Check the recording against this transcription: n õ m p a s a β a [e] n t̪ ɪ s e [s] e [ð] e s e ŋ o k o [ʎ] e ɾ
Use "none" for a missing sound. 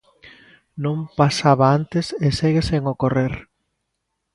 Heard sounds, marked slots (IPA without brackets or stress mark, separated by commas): a, s, ɣ, r